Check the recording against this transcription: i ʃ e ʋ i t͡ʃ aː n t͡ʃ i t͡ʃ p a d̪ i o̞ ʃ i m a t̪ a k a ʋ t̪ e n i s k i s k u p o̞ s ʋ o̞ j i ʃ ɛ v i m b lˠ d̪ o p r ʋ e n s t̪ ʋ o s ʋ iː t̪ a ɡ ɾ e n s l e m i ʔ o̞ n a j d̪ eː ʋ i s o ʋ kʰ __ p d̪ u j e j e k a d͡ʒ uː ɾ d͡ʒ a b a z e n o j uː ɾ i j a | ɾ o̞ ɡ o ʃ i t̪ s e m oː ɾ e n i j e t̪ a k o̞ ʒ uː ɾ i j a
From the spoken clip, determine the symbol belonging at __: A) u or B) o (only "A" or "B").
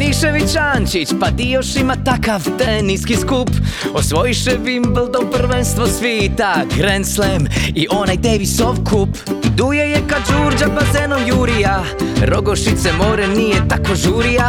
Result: A